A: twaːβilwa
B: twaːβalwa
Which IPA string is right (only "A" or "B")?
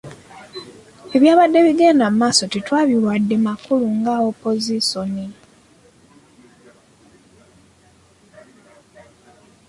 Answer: A